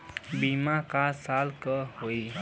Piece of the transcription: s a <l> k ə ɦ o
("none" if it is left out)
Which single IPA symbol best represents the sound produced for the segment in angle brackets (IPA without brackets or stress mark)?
l